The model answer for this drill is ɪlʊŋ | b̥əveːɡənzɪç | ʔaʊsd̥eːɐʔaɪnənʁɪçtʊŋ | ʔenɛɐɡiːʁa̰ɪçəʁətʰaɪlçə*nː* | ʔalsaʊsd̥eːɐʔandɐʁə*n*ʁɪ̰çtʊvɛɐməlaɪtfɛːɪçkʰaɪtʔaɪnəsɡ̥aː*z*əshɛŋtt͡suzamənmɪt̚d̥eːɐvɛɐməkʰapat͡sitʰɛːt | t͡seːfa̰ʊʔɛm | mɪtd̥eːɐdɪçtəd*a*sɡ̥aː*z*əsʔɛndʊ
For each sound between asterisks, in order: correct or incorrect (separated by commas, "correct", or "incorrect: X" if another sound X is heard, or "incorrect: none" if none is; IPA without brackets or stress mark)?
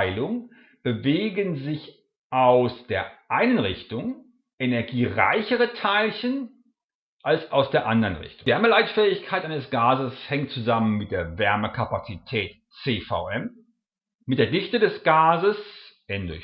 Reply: incorrect: n, correct, correct, incorrect: ɛ, correct